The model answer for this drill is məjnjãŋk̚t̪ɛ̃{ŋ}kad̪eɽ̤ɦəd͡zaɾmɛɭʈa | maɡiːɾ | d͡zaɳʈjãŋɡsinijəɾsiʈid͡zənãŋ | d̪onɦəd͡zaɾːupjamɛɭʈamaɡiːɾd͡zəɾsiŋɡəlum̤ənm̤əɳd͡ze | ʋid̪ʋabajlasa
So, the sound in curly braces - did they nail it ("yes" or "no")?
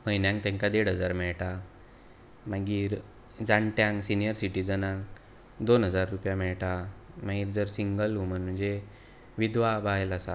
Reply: yes